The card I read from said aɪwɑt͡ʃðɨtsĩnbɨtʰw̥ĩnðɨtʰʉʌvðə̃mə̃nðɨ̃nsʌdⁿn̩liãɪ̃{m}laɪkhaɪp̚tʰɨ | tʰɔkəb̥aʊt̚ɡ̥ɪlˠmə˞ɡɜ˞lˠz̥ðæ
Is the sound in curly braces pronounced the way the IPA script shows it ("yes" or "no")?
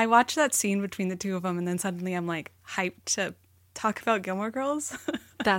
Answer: yes